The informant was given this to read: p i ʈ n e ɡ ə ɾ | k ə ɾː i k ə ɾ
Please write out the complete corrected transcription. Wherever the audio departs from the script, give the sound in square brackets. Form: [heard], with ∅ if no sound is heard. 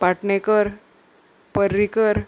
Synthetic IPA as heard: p [a] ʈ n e [k] ə ɾ | [p] ə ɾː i k ə ɾ